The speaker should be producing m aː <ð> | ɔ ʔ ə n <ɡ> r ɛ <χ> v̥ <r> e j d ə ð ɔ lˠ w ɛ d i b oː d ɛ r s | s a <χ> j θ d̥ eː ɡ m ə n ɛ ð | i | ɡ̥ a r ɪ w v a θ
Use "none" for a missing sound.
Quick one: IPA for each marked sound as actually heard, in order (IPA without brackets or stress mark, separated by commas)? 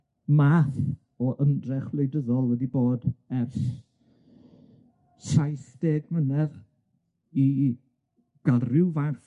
θ, d, χ, l, none